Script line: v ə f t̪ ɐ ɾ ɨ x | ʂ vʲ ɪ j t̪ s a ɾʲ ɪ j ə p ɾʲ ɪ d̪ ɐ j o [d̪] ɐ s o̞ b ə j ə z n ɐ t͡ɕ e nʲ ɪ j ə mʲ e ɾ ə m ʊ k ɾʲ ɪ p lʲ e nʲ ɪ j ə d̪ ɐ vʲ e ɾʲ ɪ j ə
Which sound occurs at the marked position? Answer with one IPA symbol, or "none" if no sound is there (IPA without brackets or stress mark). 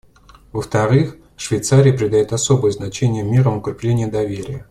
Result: t̪